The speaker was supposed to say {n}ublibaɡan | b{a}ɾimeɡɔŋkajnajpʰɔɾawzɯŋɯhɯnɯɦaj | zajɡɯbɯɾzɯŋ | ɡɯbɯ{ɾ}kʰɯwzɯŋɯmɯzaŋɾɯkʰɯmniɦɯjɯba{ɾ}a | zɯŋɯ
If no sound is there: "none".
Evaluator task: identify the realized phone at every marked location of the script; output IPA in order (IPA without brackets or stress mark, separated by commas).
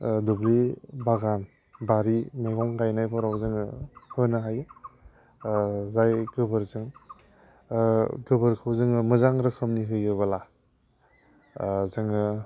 d, a, ɾ, l